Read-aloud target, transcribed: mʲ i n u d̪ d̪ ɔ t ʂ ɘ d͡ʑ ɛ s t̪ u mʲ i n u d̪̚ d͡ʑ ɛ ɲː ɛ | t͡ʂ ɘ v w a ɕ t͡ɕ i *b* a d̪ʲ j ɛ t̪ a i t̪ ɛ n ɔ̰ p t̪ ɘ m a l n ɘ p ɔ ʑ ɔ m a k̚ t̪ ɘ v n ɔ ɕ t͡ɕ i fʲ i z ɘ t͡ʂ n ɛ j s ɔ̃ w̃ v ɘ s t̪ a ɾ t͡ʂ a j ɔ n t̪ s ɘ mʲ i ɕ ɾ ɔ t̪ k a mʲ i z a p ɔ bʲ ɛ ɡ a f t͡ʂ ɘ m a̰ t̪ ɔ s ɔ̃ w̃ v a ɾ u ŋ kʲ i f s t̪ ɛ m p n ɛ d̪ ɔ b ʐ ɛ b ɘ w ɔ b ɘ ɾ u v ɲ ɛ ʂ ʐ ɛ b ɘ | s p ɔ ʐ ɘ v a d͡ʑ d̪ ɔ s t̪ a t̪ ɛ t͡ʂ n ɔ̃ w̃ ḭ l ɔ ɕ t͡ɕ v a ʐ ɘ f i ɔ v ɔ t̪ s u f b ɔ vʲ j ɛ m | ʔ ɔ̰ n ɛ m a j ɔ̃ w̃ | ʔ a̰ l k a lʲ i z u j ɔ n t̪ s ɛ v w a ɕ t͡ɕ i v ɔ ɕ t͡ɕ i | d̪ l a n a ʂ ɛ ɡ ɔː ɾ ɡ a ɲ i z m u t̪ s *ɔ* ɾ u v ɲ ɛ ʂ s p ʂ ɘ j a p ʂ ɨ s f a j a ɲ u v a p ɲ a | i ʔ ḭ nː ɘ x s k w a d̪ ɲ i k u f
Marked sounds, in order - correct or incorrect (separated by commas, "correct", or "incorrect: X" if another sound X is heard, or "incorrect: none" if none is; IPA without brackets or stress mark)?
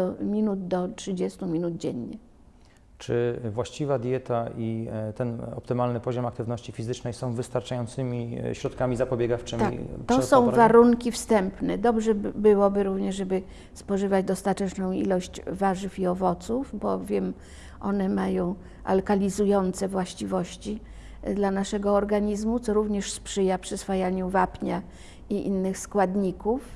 incorrect: v, correct